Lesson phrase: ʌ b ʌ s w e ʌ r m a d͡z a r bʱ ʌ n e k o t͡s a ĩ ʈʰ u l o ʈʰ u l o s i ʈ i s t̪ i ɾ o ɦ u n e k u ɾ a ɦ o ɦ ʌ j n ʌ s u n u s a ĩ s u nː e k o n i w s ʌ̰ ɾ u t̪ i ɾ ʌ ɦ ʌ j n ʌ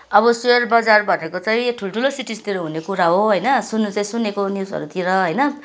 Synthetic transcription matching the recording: ʌ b ʌ s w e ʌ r b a d͡z a r bʱ ʌ n e k o t͡s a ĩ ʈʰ u l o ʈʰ u l o s i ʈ i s t̪ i ɾ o ɦ u n e k u ɾ a ɦ o ɦ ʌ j n ʌ s u n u t͡s a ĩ s u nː e k o n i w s ʌ̰ ɾ u t̪ i ɾ ʌ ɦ ʌ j n ʌ